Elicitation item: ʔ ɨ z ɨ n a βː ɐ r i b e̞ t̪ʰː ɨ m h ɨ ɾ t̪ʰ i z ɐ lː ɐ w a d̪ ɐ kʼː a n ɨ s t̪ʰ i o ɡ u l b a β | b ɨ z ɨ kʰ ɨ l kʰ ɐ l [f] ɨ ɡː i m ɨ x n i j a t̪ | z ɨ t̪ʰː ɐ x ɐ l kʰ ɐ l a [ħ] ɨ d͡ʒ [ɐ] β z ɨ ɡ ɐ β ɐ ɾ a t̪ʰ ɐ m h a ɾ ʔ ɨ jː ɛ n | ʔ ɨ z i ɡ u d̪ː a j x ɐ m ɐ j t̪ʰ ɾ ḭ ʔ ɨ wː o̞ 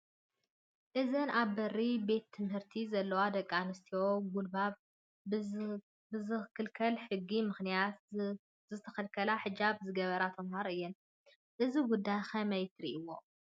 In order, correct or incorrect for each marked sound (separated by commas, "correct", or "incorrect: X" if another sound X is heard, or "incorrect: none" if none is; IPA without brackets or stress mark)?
incorrect: ħ, correct, incorrect: a